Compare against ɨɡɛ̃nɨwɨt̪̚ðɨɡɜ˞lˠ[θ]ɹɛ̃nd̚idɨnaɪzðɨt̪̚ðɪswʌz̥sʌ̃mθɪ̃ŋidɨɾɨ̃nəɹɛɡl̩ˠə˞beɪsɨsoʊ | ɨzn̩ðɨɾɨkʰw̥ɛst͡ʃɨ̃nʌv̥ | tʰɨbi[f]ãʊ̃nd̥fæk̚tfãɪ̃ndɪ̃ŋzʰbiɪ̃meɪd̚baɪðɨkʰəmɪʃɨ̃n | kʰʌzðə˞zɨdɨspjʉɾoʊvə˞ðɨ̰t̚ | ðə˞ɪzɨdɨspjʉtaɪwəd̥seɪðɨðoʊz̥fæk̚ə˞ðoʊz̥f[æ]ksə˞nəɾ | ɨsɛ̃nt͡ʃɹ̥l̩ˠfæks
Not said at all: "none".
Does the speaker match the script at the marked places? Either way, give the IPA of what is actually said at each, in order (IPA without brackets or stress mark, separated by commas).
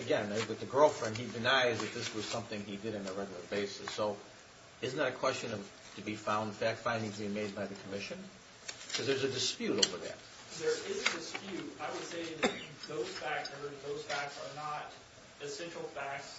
f, f, æ